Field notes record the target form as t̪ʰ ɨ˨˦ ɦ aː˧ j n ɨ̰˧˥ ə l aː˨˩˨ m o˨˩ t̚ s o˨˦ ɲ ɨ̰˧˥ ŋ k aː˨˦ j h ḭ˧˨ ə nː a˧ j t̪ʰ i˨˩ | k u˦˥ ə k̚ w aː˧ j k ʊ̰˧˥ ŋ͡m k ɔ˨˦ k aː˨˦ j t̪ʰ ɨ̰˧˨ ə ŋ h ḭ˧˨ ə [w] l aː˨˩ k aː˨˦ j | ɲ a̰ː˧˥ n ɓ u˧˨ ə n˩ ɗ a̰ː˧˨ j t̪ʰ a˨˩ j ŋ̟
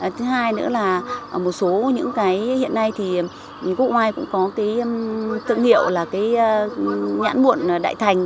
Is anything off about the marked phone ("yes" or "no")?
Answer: no